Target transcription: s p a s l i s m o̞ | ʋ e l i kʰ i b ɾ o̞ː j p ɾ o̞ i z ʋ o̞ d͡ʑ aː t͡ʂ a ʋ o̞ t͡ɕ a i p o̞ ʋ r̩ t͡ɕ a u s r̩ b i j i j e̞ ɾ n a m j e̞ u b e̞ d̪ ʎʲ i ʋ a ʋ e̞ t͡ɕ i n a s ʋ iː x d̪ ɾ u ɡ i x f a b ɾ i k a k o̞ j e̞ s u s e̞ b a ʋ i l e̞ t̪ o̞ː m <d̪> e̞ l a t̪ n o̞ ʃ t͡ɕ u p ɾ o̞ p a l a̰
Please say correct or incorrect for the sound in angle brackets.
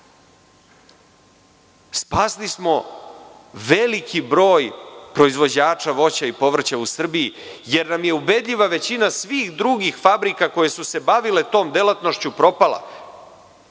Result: correct